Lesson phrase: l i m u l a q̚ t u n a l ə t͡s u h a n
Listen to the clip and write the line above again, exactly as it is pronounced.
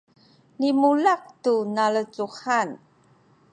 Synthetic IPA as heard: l i m u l a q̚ t u n a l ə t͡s u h a n